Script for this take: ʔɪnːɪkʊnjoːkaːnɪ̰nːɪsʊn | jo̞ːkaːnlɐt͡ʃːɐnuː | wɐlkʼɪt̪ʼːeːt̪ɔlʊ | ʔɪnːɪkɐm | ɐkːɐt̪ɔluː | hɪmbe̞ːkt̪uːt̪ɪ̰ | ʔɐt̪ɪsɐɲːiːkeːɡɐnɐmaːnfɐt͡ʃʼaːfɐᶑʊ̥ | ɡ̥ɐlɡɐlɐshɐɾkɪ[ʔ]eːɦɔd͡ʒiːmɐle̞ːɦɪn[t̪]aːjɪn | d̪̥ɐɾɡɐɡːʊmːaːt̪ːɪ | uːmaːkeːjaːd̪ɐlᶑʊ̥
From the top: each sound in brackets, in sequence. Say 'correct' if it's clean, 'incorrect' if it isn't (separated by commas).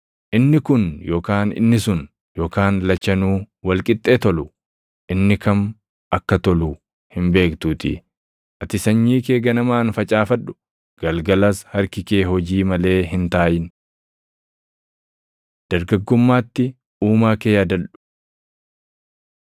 incorrect, correct